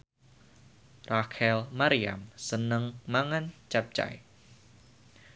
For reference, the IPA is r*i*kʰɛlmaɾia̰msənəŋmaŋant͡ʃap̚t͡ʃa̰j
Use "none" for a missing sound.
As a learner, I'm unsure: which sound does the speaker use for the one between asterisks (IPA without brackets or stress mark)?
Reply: a